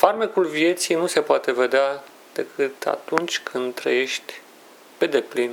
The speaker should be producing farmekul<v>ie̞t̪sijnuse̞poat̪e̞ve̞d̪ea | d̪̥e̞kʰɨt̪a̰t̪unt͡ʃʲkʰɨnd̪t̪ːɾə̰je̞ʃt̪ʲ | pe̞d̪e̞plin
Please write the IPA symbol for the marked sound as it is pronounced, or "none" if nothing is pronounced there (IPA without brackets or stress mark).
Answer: v